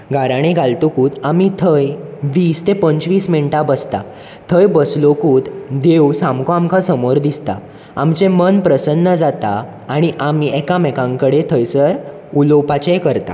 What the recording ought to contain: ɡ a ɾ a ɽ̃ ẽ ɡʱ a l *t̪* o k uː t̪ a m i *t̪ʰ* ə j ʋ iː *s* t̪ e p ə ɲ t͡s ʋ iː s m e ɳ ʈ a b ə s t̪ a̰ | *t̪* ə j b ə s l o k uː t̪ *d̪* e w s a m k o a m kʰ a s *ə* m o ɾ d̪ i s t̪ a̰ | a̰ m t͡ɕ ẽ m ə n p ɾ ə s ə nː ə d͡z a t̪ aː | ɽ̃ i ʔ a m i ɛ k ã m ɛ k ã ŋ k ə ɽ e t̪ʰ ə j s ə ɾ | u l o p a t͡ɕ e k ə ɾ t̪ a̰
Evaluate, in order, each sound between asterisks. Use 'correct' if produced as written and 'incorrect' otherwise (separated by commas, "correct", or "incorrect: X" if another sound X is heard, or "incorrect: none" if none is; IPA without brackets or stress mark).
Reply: correct, correct, correct, incorrect: t̪ʰ, correct, correct